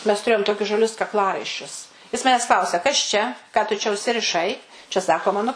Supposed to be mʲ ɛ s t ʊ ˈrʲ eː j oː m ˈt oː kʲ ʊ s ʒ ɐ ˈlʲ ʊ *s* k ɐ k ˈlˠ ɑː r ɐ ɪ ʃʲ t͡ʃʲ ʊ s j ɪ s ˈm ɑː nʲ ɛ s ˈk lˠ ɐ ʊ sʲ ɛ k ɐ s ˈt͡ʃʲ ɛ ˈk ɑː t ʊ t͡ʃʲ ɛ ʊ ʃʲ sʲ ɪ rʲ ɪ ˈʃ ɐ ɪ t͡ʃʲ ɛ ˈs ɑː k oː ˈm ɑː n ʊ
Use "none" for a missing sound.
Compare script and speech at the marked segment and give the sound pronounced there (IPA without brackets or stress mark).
s